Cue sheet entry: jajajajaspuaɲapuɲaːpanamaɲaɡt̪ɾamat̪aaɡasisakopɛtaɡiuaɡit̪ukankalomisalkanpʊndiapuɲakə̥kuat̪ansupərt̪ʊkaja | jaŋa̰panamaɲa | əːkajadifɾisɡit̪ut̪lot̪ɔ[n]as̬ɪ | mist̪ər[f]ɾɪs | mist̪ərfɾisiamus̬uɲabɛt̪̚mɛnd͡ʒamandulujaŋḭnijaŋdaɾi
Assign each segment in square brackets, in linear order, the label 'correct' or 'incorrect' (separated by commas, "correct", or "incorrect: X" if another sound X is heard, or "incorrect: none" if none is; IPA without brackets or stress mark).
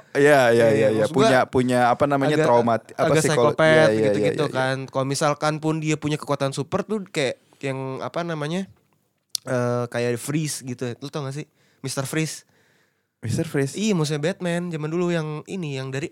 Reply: incorrect: ŋ, correct